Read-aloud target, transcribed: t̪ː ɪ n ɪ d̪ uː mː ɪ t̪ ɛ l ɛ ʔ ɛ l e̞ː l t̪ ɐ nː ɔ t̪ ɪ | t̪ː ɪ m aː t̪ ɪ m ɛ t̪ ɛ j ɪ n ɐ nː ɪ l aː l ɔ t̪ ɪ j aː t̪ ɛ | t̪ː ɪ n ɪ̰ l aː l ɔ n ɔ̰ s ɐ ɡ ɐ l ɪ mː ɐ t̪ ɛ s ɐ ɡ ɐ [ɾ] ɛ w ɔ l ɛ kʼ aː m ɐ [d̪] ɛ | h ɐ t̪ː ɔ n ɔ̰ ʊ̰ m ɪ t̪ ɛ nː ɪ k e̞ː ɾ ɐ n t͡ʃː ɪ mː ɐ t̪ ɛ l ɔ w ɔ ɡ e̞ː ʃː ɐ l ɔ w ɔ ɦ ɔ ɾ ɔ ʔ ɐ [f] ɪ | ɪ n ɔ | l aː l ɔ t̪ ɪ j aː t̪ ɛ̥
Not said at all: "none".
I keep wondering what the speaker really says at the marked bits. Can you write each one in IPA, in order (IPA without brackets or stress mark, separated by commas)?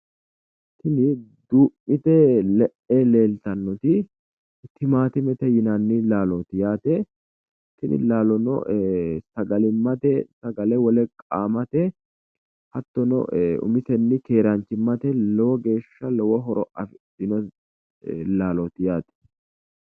l, t̪, f